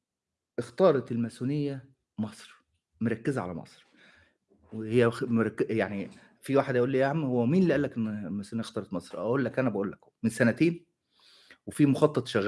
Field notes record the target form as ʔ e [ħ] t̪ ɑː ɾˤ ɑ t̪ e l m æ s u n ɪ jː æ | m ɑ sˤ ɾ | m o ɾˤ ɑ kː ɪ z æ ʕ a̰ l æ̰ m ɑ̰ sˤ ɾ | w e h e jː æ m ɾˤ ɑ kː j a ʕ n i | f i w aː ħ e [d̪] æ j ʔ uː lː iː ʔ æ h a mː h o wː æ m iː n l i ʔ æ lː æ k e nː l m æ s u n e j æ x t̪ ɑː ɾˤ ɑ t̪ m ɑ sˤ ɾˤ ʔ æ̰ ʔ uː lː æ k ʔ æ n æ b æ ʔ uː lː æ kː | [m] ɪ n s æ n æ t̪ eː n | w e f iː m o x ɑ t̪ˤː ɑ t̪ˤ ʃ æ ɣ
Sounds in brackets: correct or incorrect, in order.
incorrect: x, correct, correct

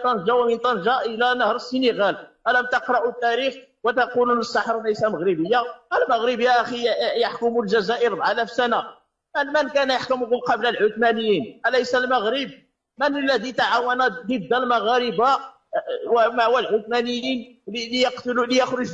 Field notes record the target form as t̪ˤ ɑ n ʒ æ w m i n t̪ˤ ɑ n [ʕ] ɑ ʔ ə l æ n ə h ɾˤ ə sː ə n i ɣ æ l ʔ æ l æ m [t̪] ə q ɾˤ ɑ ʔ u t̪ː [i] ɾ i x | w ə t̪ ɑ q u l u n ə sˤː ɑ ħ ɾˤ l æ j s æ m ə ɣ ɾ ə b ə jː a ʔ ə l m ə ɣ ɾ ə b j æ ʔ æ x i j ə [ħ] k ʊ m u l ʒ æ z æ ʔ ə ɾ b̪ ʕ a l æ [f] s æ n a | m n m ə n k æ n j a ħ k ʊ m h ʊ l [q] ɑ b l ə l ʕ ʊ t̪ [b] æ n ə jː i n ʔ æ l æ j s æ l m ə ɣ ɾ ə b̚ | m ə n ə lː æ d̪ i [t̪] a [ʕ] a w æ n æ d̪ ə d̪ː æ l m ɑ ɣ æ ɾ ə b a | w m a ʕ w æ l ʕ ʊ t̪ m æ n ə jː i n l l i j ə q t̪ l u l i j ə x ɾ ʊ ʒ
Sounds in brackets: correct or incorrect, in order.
incorrect: ʒ, correct, incorrect: æ, correct, correct, correct, incorrect: m, correct, correct

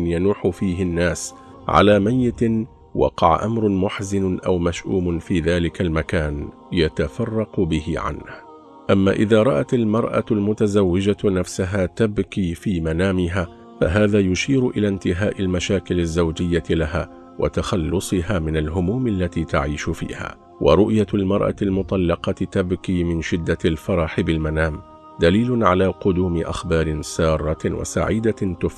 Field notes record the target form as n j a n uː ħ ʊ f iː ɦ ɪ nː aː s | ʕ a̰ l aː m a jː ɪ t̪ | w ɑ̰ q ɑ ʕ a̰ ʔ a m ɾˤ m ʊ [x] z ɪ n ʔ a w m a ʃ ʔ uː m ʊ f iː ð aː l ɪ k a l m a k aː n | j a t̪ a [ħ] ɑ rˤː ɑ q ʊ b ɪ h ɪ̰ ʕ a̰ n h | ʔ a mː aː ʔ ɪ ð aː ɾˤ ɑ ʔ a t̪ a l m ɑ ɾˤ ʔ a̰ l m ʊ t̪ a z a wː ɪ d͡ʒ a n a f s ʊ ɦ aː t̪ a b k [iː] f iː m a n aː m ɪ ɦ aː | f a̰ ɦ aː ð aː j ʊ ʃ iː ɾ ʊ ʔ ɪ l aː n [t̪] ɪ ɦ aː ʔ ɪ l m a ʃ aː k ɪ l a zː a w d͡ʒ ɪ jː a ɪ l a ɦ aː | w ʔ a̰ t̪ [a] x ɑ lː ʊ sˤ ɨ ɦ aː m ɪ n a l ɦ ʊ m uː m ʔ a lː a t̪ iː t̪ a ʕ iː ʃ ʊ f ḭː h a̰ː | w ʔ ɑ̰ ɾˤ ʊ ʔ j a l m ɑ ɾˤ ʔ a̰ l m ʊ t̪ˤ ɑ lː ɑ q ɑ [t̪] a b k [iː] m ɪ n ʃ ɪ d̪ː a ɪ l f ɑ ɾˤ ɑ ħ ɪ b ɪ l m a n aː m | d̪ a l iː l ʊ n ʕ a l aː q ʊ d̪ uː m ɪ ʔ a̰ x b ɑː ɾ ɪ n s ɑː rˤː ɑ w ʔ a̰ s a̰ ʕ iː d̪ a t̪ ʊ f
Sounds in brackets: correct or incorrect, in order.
incorrect: ħ, incorrect: f, correct, correct, correct, correct, correct

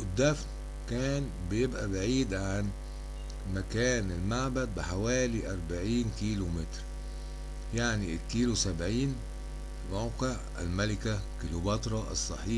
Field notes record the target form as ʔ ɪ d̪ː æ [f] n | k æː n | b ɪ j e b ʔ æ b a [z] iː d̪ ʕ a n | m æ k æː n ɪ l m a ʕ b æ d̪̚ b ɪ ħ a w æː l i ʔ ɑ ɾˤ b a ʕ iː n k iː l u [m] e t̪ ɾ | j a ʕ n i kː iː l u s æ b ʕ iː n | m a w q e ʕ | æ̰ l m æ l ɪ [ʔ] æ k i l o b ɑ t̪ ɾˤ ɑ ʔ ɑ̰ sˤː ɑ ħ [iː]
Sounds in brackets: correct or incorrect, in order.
correct, incorrect: ʕ, correct, incorrect: k, correct

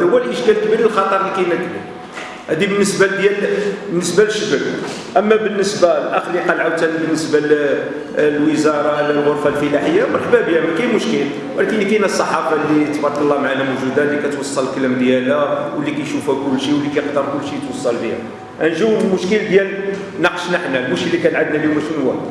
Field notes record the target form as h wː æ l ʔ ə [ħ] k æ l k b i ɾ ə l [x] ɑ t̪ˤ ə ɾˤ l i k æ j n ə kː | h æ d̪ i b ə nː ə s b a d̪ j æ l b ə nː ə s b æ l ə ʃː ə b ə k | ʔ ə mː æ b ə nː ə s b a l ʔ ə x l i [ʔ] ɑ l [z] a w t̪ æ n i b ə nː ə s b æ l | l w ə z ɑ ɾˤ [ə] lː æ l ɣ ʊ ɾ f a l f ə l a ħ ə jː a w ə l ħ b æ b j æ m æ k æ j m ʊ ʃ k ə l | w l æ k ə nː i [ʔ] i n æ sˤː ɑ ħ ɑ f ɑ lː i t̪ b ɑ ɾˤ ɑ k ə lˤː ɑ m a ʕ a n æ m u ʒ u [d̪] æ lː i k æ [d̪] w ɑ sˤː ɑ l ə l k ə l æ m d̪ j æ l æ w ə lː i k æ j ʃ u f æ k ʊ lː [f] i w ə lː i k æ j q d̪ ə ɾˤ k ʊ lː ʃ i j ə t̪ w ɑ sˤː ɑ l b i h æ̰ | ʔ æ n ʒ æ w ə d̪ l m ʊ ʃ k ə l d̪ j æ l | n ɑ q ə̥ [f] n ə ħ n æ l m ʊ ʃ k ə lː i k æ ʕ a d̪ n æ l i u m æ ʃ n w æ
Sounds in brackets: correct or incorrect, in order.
incorrect: ʃ, correct, incorrect: q, incorrect: ʕ, incorrect: ɑ, incorrect: k, correct, incorrect: t̪, incorrect: ʃ, incorrect: ʃ

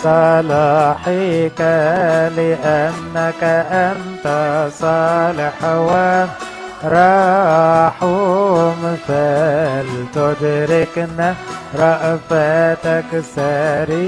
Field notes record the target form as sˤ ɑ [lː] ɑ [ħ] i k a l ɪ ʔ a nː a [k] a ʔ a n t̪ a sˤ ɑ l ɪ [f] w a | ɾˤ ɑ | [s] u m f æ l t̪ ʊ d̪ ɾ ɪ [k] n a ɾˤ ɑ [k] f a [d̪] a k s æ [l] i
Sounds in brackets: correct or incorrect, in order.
incorrect: l, correct, correct, incorrect: ħ, incorrect: ħ, correct, incorrect: ʔ, incorrect: t̪, incorrect: ɾ

